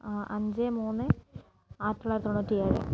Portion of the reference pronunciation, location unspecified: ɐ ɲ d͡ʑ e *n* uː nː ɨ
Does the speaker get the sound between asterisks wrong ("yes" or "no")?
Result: yes